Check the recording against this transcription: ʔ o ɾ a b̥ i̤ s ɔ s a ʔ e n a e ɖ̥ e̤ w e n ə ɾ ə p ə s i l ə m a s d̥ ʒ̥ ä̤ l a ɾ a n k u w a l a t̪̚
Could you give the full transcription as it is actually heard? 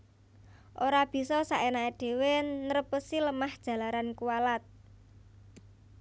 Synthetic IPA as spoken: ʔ o ɾ a b̥ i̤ s ɔ s a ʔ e n a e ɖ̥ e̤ w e n ə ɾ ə p ə s i l ə m a h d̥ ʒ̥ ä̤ l a ɾ a n k u w a l a t̪̚

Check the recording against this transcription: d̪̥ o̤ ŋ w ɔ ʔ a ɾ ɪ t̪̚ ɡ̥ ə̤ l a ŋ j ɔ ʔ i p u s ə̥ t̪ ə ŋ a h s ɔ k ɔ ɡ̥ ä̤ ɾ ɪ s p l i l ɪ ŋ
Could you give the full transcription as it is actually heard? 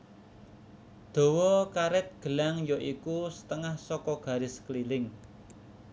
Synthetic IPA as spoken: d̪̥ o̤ w ɔ k a ɾ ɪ t̪̚ ɡ̥ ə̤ l a ŋ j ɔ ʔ i k u s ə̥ t̪ ə ŋ a h s ɔ k ɔ ɡ̥ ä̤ ɾ ɪ s k l i l ɪ ŋ

